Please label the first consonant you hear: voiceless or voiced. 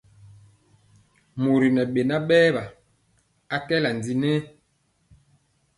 voiced